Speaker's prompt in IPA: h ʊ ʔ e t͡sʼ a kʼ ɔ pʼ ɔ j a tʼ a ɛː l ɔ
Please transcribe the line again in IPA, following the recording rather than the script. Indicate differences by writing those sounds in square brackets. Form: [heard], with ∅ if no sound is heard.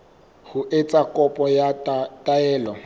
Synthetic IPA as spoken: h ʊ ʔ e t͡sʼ a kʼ ɔ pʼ ɔ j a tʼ a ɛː l ɔ